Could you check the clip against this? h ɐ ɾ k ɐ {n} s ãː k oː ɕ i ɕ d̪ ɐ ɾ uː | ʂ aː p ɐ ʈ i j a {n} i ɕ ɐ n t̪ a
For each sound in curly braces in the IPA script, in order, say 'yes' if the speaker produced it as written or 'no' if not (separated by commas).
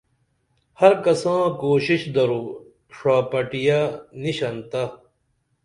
no, yes